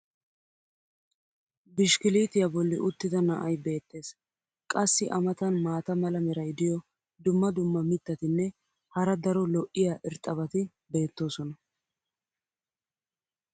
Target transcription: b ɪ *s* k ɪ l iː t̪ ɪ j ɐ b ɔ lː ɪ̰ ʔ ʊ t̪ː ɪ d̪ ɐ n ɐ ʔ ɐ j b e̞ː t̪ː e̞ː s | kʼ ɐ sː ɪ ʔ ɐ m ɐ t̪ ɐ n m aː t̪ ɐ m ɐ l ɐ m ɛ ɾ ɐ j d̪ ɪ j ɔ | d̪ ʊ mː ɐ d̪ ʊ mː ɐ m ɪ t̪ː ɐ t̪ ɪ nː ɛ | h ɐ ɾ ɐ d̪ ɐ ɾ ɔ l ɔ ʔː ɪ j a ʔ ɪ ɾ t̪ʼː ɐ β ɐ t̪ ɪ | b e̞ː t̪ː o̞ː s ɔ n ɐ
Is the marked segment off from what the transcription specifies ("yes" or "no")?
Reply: yes